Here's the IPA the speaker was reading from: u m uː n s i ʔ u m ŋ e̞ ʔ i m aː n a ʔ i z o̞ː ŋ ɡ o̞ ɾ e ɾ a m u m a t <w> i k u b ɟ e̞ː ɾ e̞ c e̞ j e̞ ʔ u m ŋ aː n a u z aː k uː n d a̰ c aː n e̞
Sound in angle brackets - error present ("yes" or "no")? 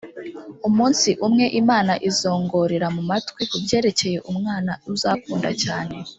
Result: no